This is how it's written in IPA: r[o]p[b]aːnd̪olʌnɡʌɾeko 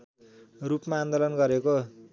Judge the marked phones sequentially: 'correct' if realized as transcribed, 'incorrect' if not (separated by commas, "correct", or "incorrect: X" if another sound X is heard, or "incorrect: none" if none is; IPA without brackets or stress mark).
incorrect: u, incorrect: m